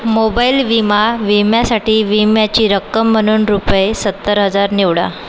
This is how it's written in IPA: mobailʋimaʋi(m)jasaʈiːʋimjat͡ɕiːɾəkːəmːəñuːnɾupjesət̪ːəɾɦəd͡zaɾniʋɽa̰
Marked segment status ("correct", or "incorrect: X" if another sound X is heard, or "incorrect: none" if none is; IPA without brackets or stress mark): correct